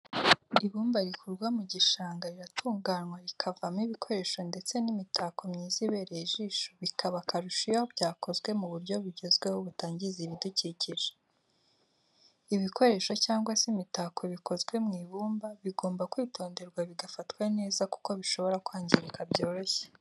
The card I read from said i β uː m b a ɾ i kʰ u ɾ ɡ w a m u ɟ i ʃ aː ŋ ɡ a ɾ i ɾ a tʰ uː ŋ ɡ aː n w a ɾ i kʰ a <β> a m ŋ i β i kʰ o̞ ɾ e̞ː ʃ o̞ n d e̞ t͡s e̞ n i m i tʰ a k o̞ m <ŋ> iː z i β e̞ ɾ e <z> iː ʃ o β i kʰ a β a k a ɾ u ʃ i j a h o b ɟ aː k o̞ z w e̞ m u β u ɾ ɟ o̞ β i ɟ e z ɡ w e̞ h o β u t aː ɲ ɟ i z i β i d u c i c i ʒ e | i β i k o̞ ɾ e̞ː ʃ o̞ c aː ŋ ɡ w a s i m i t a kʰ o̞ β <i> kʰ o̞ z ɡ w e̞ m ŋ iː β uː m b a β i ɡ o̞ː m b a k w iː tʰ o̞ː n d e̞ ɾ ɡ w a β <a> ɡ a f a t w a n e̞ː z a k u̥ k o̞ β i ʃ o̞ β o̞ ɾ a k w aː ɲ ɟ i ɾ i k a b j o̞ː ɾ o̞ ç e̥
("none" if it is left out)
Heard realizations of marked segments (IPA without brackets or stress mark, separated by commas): v, ɲ, ʒ, i, i